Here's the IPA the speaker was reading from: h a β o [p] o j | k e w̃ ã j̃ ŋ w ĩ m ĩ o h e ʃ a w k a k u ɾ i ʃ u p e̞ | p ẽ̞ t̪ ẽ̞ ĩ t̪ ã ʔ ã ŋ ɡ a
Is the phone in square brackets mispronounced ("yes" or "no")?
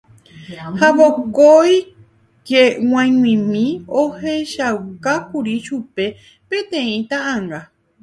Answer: yes